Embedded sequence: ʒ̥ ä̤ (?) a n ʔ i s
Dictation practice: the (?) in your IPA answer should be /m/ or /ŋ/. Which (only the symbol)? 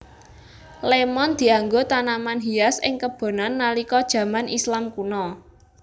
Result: m